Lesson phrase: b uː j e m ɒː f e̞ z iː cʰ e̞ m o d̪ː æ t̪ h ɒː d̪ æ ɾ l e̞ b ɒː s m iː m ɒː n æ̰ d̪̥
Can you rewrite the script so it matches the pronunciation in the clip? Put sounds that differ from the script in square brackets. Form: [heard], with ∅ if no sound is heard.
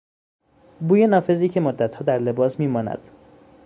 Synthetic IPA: b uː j e [n] ɒː f e̞ z iː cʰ e̞ m o d̪ː æ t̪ h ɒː d̪ æ ɾ l e̞ b ɒː s m iː m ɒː n æ̰ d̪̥